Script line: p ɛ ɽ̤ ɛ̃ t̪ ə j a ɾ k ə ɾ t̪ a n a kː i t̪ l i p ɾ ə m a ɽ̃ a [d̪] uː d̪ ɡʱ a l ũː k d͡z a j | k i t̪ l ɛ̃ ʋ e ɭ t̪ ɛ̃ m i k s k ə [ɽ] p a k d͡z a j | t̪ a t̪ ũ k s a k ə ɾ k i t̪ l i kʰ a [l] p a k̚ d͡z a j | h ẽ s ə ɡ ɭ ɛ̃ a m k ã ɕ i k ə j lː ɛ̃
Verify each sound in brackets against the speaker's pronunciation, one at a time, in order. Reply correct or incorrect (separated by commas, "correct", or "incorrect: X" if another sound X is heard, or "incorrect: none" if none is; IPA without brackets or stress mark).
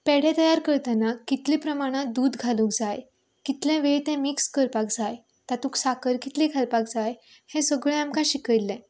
correct, incorrect: ɾ, correct